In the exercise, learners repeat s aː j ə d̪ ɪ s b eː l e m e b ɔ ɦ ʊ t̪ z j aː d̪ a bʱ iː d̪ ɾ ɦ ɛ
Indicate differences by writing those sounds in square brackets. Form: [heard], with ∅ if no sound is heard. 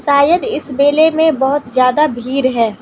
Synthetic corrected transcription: s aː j ə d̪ ɪ s b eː l e m [ẽ] b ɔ ɦ ʊ t̪ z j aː d̪ a bʱ iː [∅] ɾ ɦ [ɛː]